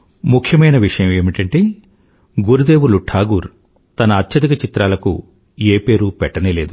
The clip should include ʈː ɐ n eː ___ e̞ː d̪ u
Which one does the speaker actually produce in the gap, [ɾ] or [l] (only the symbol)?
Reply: l